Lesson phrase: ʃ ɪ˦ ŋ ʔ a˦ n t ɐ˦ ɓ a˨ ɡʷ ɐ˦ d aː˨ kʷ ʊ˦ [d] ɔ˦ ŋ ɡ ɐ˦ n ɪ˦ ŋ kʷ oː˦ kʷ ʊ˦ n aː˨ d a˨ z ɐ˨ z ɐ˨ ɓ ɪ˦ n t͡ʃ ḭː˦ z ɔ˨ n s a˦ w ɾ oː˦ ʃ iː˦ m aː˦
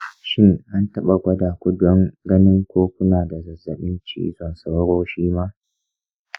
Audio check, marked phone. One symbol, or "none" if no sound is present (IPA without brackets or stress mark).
d